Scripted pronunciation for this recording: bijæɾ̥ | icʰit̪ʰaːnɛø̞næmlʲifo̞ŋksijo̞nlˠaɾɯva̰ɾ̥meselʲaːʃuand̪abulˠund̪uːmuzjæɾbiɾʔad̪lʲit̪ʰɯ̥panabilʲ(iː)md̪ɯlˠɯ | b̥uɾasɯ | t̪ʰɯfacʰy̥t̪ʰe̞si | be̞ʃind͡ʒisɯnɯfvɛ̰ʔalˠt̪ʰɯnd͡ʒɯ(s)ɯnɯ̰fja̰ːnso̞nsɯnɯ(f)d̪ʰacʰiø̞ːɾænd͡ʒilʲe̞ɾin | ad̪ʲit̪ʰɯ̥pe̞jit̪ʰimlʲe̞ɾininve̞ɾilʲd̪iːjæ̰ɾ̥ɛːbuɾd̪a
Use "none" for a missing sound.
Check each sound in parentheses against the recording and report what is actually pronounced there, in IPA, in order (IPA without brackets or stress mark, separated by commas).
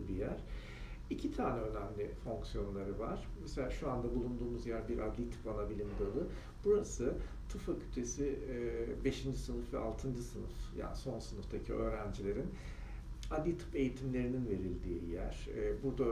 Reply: i, s, f